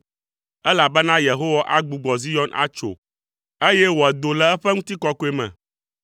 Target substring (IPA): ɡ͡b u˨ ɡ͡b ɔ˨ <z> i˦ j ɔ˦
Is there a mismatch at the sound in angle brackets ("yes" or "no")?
no